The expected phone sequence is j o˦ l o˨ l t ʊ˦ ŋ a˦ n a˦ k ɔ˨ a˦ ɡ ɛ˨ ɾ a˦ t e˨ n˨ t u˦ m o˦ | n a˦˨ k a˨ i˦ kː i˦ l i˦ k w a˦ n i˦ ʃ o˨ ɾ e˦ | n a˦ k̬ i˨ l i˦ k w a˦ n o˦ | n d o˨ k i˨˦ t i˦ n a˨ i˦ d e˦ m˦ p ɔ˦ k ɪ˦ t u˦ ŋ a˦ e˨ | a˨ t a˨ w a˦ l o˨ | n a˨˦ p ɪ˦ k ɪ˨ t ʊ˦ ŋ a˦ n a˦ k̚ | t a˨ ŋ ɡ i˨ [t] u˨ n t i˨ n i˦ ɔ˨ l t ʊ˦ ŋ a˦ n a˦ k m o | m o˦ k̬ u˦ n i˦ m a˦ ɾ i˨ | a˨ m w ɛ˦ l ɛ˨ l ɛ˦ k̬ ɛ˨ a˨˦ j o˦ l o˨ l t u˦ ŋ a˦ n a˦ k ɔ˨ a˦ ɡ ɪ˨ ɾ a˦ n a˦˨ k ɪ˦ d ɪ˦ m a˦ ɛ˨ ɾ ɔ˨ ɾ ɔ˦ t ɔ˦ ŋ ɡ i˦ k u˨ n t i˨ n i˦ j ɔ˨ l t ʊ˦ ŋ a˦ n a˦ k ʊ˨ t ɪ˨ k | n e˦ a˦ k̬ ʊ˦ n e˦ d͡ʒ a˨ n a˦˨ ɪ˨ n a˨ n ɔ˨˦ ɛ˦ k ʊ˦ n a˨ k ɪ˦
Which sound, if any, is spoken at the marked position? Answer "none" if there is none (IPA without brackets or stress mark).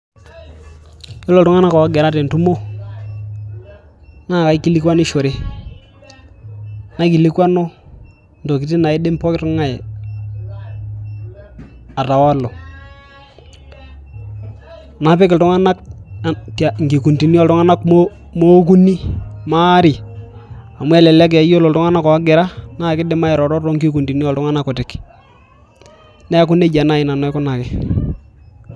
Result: k